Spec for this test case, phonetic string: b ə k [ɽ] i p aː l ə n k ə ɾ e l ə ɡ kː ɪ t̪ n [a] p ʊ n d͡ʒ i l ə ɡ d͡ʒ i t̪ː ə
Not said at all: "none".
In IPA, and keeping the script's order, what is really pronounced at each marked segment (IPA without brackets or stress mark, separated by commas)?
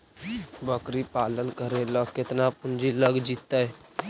ɾ, a